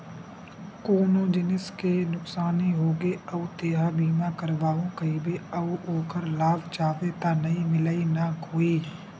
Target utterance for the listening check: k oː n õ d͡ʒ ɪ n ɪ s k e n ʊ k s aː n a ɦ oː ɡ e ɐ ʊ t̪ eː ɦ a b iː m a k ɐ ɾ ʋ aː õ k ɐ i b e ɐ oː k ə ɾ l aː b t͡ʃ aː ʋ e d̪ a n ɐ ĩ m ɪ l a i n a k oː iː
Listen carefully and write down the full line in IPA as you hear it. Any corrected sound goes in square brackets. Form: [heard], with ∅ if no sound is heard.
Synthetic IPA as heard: k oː n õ d͡ʒ ɪ n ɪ s k e n ʊ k s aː n [i] ɦ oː ɡ e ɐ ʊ t̪ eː ɦ a b iː m a k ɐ ɾ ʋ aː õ k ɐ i b e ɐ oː k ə ɾ l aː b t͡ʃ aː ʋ e [t̪] a n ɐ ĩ m ɪ l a i n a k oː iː